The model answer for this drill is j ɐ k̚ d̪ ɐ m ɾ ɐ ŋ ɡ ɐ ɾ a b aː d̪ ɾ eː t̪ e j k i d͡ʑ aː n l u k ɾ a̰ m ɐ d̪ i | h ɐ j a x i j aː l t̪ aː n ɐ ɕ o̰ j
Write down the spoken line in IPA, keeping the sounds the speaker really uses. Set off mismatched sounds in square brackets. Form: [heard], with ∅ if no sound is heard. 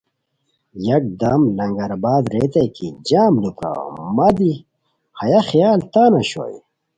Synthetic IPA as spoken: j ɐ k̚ d̪ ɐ m [l] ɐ ŋ ɡ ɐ ɾ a b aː d̪ ɾ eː t̪ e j k i d͡ʑ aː [m] l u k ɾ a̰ m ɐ d̪ i | h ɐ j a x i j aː l t̪ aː n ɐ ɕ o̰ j